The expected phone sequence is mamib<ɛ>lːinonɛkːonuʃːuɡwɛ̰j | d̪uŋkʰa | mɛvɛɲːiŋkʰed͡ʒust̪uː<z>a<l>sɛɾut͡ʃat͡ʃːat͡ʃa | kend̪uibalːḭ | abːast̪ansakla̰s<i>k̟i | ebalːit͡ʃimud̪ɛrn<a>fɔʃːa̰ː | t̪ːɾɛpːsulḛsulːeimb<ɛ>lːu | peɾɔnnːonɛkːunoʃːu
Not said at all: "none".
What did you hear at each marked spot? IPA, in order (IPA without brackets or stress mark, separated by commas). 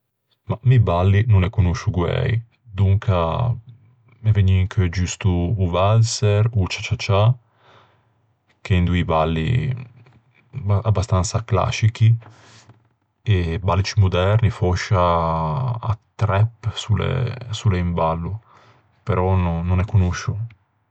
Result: a, v, l, i, i, a